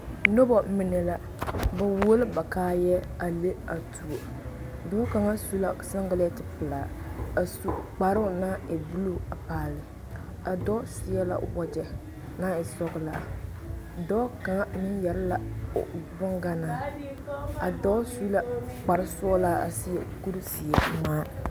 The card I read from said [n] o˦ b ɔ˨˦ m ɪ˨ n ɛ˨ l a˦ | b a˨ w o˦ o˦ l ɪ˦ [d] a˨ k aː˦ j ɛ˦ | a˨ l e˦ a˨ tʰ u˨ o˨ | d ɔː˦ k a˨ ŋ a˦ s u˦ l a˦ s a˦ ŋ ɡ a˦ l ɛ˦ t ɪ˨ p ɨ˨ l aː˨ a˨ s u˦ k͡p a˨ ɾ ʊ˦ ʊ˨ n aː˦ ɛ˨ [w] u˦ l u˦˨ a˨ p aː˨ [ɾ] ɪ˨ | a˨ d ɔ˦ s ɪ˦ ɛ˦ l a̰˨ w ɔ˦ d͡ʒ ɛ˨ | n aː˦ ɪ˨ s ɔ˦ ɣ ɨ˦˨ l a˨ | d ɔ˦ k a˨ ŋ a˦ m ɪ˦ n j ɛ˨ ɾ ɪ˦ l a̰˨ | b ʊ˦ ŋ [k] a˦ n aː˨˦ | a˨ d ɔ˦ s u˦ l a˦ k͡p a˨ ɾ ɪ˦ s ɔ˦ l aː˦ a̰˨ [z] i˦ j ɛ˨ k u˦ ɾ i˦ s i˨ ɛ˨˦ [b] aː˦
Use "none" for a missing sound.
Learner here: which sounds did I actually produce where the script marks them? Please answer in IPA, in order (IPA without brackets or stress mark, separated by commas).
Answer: n, b, b, l, ɡ, s, m